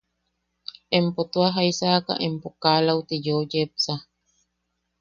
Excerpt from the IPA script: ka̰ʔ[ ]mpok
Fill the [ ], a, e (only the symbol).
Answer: e